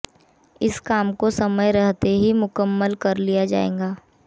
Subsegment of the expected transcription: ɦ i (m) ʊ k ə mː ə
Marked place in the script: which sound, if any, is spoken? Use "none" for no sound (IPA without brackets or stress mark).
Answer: m